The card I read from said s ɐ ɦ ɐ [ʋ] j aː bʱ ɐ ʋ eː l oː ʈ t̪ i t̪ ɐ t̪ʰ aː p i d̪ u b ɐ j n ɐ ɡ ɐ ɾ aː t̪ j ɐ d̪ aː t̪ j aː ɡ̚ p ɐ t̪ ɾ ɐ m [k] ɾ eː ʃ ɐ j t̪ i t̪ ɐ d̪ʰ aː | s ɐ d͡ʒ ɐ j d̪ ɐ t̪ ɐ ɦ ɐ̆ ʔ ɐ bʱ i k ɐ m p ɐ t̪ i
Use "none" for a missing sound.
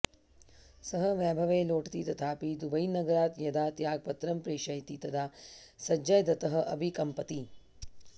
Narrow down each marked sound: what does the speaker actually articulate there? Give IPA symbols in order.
ʋ, p

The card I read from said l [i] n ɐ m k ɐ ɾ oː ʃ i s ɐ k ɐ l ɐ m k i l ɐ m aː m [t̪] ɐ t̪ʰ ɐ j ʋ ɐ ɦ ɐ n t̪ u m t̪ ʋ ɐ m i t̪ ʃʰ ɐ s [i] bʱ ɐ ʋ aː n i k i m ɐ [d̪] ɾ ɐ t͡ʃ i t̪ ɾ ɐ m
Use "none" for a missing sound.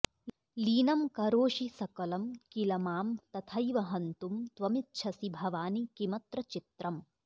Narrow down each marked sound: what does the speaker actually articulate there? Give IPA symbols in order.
iː, t̪, i, t̪

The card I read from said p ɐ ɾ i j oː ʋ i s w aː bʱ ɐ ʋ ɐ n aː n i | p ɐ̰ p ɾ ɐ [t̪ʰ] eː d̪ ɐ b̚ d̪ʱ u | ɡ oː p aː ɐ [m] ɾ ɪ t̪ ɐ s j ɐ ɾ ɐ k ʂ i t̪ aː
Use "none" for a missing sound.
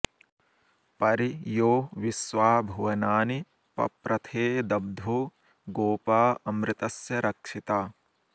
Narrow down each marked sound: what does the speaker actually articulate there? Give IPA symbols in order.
t̪ʰ, m

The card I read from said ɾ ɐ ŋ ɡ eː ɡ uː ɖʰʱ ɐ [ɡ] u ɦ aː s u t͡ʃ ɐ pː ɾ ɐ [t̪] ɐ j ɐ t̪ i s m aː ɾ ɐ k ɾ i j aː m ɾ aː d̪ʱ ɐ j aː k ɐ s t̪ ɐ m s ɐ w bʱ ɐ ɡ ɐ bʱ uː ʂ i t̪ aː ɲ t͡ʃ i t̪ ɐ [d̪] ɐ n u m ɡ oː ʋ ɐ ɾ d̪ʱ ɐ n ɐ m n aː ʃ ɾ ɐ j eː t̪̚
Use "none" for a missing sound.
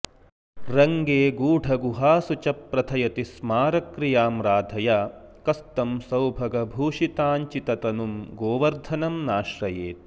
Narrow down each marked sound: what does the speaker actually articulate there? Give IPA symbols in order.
ɡ, t̪ʰ, t̪

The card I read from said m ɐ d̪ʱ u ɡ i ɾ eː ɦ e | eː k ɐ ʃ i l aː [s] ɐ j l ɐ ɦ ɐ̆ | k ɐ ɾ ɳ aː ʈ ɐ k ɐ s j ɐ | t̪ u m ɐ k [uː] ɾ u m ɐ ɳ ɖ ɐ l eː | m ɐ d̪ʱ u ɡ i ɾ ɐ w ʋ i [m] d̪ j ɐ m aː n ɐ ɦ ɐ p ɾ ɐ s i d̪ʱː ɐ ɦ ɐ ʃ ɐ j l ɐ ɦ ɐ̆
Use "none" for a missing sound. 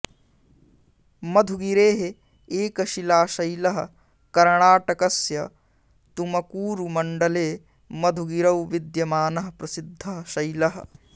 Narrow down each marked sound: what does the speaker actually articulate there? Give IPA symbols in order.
ʃ, uː, none

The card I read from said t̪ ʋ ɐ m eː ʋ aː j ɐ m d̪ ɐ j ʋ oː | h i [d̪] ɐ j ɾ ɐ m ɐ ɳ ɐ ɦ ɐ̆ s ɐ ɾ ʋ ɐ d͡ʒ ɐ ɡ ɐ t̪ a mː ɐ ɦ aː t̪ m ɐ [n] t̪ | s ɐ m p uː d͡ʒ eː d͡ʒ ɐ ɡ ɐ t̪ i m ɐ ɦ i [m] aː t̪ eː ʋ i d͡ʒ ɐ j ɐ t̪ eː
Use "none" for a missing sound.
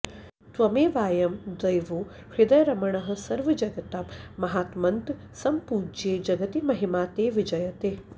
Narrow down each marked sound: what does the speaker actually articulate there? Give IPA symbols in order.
d̪, n, m

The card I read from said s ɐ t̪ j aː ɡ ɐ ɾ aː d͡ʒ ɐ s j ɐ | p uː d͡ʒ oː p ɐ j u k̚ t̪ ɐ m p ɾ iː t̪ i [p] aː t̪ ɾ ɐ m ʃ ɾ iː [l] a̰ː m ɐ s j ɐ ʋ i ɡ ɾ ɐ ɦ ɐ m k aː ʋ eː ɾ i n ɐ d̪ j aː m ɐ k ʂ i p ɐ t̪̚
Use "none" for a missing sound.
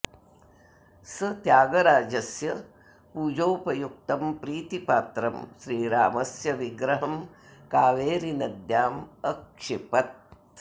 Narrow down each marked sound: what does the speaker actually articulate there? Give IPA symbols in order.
p, ɾ

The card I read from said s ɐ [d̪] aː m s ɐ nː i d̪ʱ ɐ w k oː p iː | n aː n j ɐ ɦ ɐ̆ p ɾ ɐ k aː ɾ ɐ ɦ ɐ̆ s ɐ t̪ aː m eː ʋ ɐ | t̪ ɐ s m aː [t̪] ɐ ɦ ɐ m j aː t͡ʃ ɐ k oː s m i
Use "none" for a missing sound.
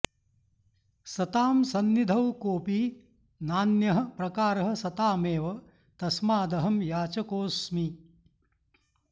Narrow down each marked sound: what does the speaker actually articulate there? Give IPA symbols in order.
t̪, d̪

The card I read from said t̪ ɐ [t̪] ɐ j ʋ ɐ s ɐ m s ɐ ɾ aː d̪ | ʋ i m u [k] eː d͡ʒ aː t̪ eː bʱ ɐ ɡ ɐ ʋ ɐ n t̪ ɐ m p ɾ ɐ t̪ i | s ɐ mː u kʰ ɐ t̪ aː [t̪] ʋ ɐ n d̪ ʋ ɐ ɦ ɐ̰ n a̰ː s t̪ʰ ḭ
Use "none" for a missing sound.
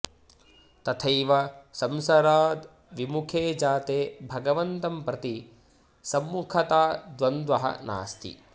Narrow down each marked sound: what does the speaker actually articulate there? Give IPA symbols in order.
t̪ʰ, kʰ, d̪

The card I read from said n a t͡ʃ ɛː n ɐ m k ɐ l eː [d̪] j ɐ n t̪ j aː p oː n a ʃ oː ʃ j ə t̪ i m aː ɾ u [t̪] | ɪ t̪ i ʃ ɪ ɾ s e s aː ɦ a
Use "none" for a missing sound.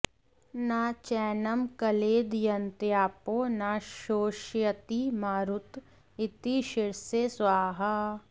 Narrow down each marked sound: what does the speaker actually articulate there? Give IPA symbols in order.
d̪, t̪

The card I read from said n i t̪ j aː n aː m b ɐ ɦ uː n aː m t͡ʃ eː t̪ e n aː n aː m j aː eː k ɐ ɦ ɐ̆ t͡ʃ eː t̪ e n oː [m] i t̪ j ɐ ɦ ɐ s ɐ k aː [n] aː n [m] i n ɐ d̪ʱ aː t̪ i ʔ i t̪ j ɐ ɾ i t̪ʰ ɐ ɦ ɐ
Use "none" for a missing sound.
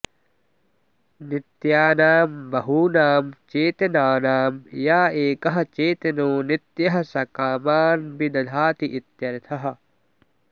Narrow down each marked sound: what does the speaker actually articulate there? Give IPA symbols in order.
n, m, b

